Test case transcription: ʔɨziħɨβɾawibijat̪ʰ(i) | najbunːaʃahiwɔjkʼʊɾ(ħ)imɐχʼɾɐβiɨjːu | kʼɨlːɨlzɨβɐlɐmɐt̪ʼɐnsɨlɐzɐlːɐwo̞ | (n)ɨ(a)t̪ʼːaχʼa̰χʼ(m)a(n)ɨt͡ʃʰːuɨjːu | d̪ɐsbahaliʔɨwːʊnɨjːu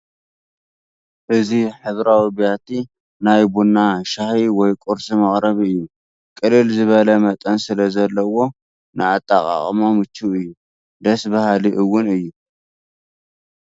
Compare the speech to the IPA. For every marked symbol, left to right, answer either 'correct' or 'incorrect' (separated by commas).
correct, incorrect, correct, correct, correct, incorrect